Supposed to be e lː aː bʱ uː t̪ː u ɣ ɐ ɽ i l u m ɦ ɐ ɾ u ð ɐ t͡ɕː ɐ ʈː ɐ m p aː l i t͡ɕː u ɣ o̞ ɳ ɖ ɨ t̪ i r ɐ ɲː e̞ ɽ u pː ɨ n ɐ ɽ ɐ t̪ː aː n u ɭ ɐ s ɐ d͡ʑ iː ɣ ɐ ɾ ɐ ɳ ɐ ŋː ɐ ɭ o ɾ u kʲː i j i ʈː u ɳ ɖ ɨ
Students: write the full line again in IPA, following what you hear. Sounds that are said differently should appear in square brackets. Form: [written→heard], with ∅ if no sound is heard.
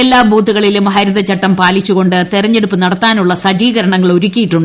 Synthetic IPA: e lː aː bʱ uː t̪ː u ɣ ɐ [ɽ→ɭ] i l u m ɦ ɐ ɾ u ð ɐ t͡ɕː ɐ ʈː ɐ m p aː l i t͡ɕː u ɣ o̞ ɳ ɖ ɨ t̪ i r ɐ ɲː e̞ ɽ u pː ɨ n ɐ ɽ ɐ t̪ː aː n u [ɭ→ɭː] ɐ s ɐ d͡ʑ iː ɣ ɐ ɾ ɐ ɳ ɐ ŋː ɐ ɭ o ɾ u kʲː i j i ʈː u ɳ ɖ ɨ